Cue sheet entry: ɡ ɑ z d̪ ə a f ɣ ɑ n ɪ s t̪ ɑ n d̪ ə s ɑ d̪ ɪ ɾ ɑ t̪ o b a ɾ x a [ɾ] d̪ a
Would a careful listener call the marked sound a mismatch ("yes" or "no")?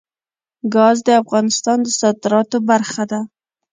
yes